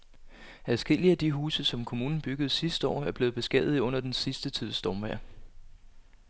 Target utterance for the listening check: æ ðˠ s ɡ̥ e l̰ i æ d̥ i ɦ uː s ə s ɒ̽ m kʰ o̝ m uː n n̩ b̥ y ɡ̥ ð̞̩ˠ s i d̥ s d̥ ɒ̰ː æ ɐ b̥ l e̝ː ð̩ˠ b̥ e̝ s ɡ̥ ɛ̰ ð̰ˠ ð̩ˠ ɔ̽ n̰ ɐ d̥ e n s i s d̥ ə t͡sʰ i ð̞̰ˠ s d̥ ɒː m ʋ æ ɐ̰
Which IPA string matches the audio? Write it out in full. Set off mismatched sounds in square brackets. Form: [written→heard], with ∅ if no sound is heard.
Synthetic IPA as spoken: æ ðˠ s ɡ̥ e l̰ i æ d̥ i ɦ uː s ə s ɒ̽ m kʰ o̝ m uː n n̩ b̥ y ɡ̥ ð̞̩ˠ s i [d̥→∅] s d̥ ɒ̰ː æ ɐ b̥ l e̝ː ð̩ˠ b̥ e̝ s ɡ̥ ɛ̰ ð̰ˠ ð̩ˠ ɔ̽ n̰ ɐ d̥ e n s i s d̥ ə t͡sʰ i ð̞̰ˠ s d̥ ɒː m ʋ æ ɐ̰